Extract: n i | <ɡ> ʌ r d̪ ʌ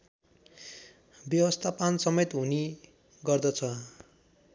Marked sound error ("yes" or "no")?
no